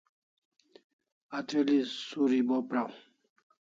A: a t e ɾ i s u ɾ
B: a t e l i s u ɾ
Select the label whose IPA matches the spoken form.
B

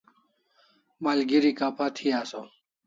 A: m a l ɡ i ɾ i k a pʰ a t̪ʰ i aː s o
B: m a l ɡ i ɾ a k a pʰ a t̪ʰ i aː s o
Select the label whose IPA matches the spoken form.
A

